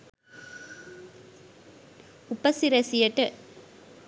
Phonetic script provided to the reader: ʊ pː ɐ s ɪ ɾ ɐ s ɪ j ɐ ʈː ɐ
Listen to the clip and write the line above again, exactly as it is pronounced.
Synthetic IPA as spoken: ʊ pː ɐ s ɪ ɾ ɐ s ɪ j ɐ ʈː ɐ